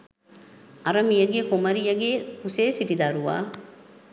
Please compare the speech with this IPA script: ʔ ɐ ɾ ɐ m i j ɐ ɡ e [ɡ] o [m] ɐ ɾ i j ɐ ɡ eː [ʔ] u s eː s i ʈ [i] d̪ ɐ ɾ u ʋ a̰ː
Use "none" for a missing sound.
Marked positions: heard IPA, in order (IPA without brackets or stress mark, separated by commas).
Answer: k, m, k, i